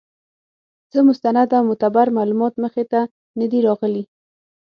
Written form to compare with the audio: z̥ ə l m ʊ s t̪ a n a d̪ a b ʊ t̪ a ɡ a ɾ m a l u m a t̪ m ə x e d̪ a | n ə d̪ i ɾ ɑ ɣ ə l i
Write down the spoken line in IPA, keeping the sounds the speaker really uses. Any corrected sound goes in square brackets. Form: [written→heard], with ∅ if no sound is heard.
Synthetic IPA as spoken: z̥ ə [l→∅] m ʊ s t̪ a n a d̪ a [b→m] ʊ t̪ a [ɡ→b] a ɾ m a l u m [a→ɑ] t̪ m ə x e [d̪→t̪] a | n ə d̪ i ɾ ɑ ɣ ə l i